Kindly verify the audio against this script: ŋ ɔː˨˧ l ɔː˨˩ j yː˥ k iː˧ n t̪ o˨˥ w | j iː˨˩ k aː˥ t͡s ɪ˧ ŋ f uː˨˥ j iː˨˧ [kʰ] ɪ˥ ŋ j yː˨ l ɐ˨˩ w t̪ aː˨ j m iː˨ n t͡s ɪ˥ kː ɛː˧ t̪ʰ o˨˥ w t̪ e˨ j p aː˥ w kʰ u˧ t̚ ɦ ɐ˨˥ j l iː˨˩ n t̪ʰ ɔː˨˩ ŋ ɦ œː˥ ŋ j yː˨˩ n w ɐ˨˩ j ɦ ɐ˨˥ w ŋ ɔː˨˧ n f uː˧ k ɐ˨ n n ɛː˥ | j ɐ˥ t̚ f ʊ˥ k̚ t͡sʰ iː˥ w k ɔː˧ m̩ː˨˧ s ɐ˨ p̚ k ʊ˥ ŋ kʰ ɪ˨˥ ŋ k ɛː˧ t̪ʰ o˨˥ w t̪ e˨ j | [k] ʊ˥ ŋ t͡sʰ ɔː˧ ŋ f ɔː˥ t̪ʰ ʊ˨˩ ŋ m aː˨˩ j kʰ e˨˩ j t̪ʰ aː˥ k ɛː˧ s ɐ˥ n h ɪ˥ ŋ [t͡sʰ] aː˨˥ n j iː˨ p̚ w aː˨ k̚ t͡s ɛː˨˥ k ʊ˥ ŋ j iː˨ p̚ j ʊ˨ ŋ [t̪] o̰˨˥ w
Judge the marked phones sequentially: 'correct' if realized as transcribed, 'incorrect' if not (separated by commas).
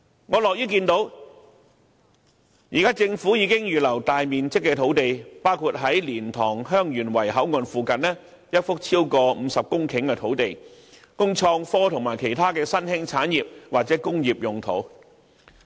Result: incorrect, correct, correct, incorrect